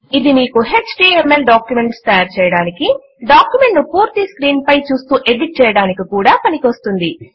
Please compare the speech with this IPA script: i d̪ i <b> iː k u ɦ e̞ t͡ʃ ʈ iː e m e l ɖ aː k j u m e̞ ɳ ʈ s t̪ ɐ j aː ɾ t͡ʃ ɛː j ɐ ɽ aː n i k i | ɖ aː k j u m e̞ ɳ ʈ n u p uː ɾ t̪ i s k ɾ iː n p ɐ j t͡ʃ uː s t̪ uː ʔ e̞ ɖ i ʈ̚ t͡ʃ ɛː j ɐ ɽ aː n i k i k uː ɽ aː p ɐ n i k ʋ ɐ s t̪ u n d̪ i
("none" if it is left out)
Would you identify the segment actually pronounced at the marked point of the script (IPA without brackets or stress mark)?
m